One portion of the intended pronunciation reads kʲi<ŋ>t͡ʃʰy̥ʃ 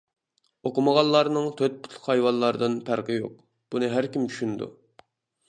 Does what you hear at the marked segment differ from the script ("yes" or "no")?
yes